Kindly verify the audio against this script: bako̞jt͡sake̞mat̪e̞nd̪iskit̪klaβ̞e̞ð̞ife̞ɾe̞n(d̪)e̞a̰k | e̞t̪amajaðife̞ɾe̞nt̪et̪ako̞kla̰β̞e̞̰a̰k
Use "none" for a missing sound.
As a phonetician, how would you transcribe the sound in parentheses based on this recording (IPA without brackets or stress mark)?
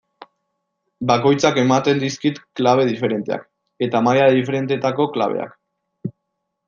t̪